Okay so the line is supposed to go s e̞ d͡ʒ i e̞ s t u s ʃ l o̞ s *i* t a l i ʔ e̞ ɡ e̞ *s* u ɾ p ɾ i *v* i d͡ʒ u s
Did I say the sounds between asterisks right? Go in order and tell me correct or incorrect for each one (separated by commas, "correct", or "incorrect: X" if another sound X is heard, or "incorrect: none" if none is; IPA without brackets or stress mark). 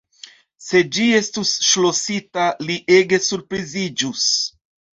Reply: correct, correct, incorrect: z